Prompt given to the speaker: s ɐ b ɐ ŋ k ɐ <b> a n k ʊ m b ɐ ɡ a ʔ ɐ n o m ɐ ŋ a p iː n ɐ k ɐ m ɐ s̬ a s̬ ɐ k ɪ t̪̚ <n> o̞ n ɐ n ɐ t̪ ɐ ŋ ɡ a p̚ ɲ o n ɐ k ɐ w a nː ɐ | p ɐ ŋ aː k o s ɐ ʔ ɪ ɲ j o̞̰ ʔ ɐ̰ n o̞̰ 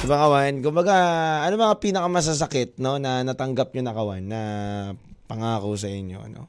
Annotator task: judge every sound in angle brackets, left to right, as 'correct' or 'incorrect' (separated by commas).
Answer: incorrect, correct